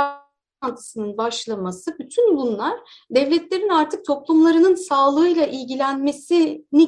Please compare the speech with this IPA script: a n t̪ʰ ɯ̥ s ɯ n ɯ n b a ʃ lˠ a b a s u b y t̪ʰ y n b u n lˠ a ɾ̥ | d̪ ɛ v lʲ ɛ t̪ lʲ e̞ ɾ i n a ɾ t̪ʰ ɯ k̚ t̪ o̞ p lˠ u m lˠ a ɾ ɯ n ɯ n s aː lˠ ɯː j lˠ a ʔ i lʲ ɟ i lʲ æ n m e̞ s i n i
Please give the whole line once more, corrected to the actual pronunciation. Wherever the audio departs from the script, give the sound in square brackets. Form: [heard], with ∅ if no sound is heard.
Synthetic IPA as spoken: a n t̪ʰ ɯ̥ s ɯ n ɯ n b a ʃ lˠ a [m] a s [ɯ] b y t̪ʰ y n b u n lˠ a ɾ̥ | d̪ ɛ v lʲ ɛ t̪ lʲ e̞ ɾ i n a ɾ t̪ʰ ɯ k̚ [t̪ʰ] o̞ p lˠ u m lˠ a ɾ ɯ n ɯ n s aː lˠ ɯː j lˠ a ʔ i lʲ ɟ i lʲ æ n m e̞ s i n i